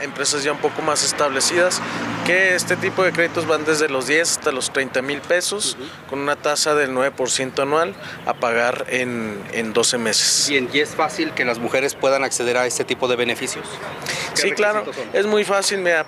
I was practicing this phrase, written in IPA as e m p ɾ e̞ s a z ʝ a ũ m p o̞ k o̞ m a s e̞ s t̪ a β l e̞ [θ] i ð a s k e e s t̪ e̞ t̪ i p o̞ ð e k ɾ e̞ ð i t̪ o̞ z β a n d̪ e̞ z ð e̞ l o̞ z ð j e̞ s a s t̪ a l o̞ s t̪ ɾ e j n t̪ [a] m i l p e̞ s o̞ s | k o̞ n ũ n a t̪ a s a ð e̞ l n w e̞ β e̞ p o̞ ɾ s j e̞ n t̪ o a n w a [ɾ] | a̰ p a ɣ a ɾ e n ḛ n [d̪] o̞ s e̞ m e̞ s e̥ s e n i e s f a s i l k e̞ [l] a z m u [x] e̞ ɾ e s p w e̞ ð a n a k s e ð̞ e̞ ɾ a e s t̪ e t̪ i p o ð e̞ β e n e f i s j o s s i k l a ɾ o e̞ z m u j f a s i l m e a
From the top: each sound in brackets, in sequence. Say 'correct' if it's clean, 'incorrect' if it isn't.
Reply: incorrect: s, correct, incorrect: l, correct, correct, correct

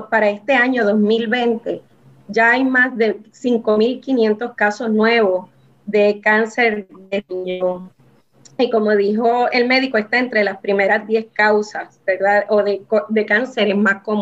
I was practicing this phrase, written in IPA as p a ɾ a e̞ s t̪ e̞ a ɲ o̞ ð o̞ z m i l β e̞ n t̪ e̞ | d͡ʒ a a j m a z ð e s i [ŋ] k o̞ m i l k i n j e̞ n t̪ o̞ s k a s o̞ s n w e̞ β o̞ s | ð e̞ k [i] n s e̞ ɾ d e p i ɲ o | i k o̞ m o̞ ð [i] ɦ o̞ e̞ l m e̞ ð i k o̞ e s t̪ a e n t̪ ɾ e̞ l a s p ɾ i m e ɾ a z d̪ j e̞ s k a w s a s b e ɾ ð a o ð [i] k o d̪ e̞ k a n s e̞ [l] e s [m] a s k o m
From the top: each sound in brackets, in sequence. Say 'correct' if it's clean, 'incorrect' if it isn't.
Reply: correct, incorrect: a, correct, incorrect: e, incorrect: ɾ, correct

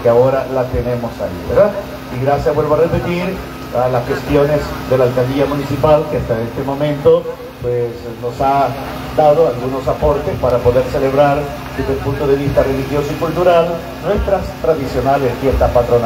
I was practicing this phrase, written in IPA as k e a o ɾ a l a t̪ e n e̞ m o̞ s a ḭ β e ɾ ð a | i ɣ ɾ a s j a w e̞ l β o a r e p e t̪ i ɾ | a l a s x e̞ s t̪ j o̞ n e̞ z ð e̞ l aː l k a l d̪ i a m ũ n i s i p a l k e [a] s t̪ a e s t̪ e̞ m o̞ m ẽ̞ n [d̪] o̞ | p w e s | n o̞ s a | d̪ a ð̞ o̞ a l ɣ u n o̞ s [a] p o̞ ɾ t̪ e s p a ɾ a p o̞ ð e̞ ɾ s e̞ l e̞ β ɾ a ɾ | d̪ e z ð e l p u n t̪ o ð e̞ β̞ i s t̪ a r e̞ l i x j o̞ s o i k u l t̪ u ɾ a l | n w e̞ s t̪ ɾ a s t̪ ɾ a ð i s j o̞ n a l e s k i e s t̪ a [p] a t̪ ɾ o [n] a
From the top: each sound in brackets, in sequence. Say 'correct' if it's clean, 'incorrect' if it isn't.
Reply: correct, incorrect: t̪, correct, correct, correct

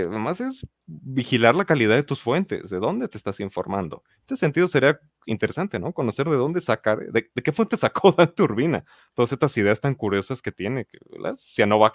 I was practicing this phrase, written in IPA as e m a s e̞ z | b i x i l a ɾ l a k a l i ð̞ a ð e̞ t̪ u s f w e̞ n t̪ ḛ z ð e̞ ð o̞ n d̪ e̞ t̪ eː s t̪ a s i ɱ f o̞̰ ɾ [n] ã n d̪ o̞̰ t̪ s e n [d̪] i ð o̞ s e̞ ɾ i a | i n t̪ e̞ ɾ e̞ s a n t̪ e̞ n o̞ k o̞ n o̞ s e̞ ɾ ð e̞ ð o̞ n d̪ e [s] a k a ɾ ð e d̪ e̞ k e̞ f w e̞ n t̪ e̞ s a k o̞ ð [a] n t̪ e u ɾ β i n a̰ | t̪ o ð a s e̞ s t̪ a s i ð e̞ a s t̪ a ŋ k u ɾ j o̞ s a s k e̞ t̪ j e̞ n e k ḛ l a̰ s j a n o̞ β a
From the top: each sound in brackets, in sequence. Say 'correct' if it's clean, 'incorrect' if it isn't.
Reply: incorrect: m, incorrect: t̪, correct, correct

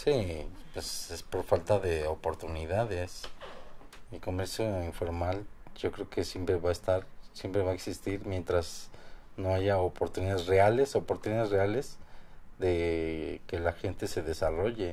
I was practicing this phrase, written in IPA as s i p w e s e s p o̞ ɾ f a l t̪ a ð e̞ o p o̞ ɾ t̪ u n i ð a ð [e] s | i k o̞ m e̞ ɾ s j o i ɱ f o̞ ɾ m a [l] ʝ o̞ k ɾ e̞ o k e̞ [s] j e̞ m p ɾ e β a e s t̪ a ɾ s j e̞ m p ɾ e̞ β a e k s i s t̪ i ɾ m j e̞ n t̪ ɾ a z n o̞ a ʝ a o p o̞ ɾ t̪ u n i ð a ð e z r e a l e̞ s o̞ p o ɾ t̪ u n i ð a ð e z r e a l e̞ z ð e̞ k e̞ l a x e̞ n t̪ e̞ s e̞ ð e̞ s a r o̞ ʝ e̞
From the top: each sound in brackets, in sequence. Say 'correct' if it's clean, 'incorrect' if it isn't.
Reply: correct, correct, correct

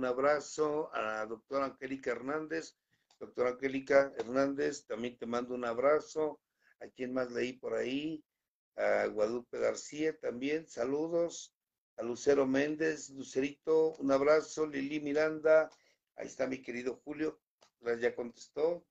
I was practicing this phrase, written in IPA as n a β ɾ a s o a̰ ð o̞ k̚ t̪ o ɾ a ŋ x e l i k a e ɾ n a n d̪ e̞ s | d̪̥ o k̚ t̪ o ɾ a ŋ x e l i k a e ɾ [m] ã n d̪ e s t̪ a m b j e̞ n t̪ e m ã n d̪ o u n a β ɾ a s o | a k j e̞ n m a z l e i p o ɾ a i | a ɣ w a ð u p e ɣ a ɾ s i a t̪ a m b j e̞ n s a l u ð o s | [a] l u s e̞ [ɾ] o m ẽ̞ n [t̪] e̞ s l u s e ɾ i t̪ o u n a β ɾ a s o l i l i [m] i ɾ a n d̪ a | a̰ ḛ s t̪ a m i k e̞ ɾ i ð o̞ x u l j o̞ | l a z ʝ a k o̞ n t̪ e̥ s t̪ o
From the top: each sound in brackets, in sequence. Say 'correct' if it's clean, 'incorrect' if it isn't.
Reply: incorrect: n, correct, correct, incorrect: d̪, correct

